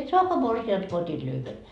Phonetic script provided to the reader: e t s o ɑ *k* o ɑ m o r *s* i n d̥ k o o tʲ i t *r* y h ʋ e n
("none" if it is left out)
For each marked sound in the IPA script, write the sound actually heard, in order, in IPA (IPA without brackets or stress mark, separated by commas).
k, s, l